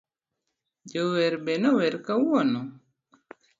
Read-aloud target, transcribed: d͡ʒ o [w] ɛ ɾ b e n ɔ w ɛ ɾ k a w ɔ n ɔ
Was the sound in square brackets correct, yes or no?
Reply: yes